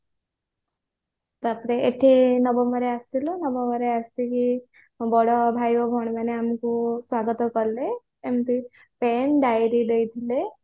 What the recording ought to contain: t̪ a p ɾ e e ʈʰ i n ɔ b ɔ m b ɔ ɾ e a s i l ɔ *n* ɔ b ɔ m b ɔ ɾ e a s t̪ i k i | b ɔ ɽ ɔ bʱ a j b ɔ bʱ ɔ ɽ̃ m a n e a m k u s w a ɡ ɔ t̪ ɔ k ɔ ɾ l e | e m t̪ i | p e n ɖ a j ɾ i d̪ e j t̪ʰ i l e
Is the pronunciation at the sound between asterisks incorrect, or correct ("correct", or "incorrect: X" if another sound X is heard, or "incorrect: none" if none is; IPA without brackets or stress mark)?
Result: correct